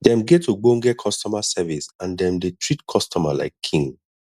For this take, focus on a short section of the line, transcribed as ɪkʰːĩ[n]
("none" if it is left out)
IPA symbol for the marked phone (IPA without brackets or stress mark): ŋ